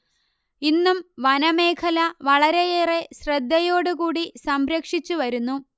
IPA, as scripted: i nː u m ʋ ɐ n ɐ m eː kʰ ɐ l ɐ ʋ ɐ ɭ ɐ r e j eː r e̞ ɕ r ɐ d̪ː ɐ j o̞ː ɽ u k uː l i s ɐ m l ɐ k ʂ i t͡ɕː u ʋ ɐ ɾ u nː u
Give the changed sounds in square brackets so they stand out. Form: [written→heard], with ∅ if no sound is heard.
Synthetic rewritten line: i nː u m ʋ ɐ n ɐ m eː kʰ ɐ l ɐ ʋ ɐ ɭ ɐ [r→ɾ] e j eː r e̞ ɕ r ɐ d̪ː ɐ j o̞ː ɽ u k uː [l→ɽ] i s ɐ m [l→ɾ] ɐ k ʂ i t͡ɕː u ʋ ɐ ɾ u nː u